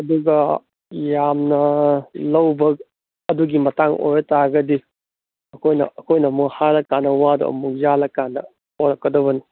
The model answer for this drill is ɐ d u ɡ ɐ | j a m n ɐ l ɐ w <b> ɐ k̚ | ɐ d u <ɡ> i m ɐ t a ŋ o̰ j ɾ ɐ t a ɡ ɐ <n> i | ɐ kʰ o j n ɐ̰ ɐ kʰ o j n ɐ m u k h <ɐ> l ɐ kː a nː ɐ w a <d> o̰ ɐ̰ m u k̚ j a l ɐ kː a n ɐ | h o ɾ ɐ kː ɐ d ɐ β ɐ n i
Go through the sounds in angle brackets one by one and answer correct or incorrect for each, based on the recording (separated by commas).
correct, correct, incorrect, incorrect, correct